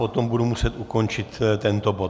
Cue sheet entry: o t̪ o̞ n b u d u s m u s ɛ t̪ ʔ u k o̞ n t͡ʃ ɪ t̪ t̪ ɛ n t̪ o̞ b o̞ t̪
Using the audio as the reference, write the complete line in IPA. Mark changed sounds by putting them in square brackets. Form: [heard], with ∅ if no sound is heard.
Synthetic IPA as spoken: o t̪ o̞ [m] b u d u [∅] m u s ɛ t̪ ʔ u k o̞ n t͡ʃ ɪ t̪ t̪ ɛ n t̪ o̞ b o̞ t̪